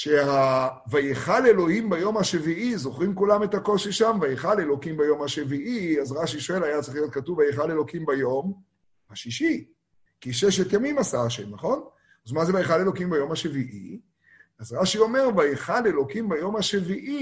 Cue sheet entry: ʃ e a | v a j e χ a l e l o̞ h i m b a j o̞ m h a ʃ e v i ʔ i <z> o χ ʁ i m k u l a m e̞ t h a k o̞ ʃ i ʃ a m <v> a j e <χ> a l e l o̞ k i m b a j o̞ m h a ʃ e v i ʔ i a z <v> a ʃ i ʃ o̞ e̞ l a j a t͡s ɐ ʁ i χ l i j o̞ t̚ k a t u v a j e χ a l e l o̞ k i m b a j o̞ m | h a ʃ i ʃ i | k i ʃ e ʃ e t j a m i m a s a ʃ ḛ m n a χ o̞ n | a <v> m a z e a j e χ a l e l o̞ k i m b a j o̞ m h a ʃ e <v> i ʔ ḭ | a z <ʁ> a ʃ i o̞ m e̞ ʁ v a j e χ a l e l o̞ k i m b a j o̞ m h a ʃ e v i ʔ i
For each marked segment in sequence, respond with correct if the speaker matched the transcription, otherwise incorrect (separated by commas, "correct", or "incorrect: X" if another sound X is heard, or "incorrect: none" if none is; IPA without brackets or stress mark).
correct, correct, correct, incorrect: ʁ, incorrect: z, correct, correct